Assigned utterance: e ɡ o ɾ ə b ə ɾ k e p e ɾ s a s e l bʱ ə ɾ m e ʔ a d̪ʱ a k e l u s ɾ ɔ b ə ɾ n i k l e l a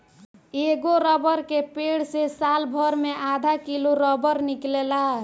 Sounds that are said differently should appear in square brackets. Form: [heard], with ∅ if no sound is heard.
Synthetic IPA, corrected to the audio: e ɡ o ɾ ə b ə ɾ k e p e [ɽ] s [e] s [a] l bʱ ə ɾ m e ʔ a d̪ʱ a k [i] l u [∅] ɾ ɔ b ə ɾ n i k l e l a